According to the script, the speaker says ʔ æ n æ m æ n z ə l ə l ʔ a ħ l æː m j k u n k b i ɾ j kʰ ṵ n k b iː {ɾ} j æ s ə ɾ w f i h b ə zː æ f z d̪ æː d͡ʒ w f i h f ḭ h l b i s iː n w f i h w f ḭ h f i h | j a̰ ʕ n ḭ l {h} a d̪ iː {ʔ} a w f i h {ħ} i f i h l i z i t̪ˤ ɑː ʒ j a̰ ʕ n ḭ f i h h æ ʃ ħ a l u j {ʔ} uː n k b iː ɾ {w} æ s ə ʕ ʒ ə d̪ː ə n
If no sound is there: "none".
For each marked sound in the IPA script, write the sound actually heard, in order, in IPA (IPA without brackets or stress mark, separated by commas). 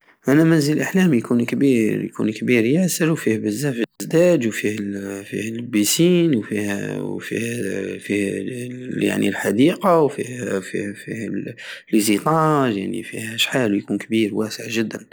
ɾ, ħ, q, f, k, w